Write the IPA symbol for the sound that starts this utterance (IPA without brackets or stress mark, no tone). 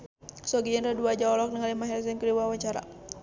s